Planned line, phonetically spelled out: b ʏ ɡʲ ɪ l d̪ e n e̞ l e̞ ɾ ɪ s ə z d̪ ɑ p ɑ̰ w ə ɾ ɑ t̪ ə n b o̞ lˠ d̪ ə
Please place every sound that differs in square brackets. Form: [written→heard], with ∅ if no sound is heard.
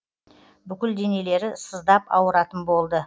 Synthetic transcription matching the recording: b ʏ [ɡʲ→kʲ] ɪ l d̪ e n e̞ l e̞ ɾ ɪ s ə z d̪ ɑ p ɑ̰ w ə ɾ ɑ t̪ ə n b o̞ lˠ d̪ ə